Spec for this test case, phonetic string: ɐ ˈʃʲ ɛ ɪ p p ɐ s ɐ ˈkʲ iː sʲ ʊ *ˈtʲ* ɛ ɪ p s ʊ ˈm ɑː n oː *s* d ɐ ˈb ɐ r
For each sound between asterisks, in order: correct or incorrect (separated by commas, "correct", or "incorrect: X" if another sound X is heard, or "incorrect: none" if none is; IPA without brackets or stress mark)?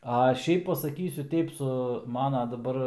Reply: correct, incorrect: none